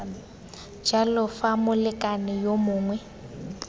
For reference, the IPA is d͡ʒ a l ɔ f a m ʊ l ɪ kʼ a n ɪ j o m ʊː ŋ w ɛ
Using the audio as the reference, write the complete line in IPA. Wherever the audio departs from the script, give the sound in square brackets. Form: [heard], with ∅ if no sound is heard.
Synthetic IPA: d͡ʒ a l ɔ f a m ʊ l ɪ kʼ a n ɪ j o m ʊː ŋ w ɛ